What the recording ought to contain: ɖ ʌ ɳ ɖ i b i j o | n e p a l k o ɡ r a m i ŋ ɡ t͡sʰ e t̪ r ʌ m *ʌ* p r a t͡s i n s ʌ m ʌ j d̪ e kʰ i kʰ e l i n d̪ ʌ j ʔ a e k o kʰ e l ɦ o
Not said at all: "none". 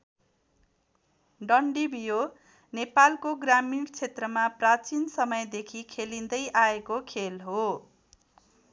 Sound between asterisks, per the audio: a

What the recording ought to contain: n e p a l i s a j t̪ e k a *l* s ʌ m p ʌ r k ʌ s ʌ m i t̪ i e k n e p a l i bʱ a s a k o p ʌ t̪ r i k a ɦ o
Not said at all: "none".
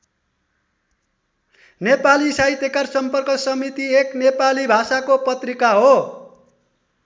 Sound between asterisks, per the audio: r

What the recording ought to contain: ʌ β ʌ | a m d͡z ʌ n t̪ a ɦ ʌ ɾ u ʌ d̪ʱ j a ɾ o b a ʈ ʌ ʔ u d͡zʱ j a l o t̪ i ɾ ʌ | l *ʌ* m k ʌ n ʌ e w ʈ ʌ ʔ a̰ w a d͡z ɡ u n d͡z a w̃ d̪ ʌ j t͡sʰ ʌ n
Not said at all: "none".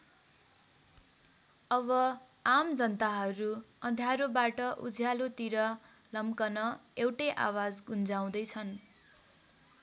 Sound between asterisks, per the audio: ʌ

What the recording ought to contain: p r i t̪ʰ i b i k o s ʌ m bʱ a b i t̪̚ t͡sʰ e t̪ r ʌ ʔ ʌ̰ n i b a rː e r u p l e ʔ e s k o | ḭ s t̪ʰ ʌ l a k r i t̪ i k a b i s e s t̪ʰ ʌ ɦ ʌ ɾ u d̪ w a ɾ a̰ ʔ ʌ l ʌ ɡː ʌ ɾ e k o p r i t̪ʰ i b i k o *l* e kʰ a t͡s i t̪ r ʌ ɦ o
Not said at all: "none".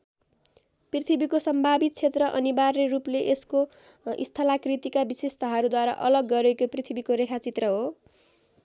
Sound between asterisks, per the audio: ɾ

